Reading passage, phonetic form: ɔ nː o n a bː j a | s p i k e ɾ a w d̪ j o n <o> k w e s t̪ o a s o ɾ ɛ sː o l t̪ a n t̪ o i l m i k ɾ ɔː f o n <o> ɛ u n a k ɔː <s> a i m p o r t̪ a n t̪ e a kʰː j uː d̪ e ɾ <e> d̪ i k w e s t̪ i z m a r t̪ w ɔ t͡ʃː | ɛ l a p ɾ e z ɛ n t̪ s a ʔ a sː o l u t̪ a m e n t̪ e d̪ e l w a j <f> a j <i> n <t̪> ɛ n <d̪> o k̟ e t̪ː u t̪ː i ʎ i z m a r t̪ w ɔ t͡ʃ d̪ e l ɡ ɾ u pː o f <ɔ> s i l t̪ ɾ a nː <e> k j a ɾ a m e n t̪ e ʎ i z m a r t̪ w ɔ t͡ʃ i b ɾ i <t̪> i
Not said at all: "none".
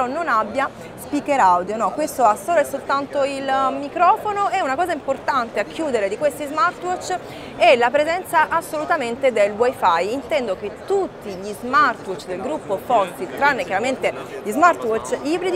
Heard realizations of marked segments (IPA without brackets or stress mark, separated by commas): ɔ, o, z, e, f, i, t̪, d̪, ɔ, e, d̪